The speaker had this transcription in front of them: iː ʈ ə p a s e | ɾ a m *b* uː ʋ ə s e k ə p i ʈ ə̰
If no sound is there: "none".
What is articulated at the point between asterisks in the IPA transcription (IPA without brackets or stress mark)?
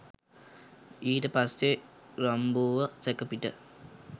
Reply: b